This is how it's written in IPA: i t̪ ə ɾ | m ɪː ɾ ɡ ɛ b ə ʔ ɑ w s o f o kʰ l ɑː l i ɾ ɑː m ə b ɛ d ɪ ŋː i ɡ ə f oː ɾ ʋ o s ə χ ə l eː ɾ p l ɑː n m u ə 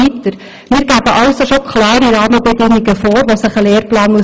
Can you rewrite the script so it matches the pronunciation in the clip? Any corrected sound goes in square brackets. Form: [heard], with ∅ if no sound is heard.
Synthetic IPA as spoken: i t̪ ə ɾ | m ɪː ɾ ɡ [æ] b ə ʔ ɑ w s o [ʃ] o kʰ l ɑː [ɾ] i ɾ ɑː m ə b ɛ d ɪ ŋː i ɡ ə f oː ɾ ʋ o s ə χ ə l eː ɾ p l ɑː n m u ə